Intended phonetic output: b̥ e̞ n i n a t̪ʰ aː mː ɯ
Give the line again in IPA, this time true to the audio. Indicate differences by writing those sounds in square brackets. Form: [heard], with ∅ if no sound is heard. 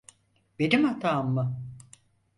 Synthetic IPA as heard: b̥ e̞ n i [m] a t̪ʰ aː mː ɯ